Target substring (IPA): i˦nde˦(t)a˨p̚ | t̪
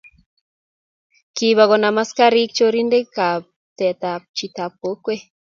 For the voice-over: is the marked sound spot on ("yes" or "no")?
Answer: no